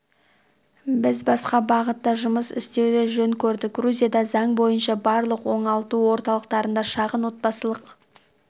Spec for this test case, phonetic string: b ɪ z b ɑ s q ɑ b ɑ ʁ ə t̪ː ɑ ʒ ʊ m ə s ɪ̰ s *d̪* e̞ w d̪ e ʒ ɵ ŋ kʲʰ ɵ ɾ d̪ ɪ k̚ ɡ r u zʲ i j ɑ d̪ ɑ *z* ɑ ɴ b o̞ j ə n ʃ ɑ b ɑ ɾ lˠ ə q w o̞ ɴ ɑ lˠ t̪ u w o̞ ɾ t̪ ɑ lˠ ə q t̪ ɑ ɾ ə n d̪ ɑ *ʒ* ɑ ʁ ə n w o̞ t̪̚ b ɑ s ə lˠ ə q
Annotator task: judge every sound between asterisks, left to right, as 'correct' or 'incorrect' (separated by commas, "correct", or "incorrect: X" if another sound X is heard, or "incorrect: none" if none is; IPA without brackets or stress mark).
incorrect: t̪, correct, incorrect: ʃ